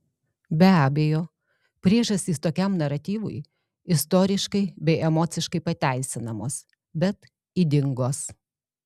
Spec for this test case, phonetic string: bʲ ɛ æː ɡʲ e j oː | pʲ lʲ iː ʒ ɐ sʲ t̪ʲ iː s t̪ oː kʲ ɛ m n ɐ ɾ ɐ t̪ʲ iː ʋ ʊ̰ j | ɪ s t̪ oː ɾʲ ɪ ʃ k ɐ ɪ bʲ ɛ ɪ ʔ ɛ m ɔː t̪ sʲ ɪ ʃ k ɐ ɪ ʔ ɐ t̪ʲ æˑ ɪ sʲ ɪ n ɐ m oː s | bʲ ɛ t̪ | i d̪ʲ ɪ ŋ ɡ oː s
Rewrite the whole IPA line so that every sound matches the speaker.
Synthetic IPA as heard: bʲ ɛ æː bʲ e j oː | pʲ ɾʲ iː ʒ ɐ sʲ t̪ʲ iː s t̪ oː kʲ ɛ m n ɐ ɾ ɐ t̪ʲ iː ʋ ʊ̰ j | ɪ s t̪ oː ɾʲ ɪ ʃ k ɐ ɪ bʲ ɛ ɪ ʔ ɛ m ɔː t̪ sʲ ɪ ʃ k ɐ ɪ p ɐ t̪ʲ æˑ ɪ sʲ ɪ n ɐ m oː s | bʲ ɛ t̪ | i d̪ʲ ɪ ŋ ɡ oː s